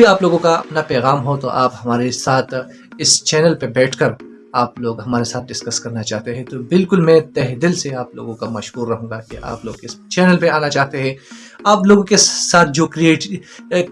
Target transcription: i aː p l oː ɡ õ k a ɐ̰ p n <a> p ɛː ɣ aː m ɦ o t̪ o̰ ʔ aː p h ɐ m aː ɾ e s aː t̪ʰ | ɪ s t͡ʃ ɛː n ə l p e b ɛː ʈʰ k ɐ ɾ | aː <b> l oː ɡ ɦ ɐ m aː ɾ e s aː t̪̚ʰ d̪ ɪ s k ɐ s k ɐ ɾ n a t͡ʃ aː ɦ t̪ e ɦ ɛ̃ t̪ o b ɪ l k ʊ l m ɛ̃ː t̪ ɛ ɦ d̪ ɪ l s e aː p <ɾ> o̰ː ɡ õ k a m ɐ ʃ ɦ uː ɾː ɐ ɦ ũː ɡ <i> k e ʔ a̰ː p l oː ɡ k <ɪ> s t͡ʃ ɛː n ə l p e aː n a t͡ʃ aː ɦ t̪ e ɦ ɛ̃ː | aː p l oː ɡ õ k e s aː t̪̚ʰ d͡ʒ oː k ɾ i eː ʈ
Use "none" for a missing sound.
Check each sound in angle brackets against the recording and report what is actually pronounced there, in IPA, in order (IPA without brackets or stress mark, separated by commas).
a, p, l, a, ɪ